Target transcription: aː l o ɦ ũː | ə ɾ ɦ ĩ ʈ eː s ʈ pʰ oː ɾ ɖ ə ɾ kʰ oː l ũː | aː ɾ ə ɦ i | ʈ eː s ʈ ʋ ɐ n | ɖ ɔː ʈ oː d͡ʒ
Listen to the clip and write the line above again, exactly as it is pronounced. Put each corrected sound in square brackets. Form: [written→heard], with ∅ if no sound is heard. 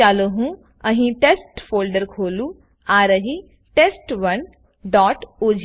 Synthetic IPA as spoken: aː l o ɦ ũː | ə [ɾ→∅] ɦ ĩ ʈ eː s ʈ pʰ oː [ɾ→l] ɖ ə ɾ kʰ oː l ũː | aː ɾ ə ɦ i | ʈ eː s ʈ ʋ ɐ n | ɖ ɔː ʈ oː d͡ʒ